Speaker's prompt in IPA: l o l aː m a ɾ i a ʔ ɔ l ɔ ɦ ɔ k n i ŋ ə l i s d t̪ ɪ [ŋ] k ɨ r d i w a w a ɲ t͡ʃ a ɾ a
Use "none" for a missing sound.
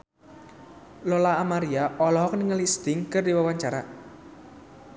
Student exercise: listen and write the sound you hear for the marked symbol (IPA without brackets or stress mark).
ŋ